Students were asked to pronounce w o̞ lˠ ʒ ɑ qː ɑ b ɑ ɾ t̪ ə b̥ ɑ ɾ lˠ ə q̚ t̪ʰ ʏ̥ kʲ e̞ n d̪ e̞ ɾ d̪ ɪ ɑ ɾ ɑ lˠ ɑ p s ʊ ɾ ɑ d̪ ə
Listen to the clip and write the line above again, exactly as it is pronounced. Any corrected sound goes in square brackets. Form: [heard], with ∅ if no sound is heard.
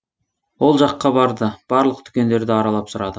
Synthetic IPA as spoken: w o̞ lˠ ʒ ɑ qː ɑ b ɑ ɾ [d̪] ə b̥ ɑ ɾ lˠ ə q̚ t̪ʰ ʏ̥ kʲ e̞ n d̪ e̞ ɾ d̪ ɪ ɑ ɾ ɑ lˠ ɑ p s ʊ ɾ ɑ d̪ ə